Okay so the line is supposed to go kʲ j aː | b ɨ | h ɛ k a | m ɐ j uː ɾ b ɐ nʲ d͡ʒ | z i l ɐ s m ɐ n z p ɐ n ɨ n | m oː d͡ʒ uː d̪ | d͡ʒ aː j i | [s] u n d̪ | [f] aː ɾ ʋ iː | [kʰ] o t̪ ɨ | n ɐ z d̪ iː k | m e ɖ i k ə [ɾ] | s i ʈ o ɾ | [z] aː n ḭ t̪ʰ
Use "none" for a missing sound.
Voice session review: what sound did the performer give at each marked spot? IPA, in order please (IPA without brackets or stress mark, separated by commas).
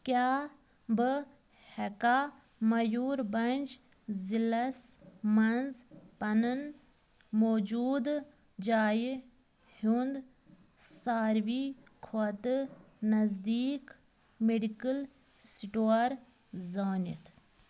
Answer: h, s, kʰ, l, z